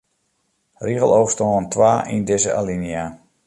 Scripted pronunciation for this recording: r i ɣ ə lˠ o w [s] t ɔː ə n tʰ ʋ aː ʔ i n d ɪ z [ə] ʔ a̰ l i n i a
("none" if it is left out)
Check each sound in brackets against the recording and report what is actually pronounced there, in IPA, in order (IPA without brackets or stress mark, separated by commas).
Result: s, ə